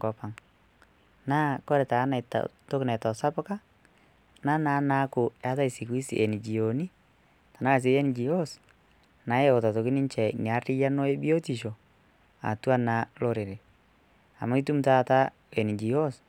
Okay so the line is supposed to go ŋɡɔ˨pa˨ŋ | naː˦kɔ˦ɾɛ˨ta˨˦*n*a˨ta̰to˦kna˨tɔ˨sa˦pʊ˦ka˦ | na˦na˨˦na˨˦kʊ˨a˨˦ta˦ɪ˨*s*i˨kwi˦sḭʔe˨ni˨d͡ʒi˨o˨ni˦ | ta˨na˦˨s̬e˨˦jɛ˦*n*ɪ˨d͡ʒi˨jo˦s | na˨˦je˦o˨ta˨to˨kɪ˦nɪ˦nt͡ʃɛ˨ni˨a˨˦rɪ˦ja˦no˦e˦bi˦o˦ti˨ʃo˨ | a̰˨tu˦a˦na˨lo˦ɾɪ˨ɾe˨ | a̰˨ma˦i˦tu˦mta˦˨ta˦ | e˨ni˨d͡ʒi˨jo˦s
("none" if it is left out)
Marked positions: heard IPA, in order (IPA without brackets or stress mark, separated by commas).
n, s, n